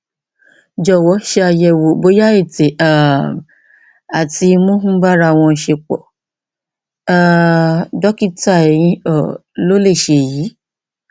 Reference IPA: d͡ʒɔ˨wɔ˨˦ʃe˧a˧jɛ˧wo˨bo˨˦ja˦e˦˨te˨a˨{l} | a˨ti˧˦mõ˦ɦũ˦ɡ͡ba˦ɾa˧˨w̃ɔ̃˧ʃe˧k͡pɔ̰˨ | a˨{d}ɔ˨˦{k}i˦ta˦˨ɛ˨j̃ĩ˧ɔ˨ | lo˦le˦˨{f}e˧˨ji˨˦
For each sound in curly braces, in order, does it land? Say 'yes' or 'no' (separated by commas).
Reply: no, yes, yes, no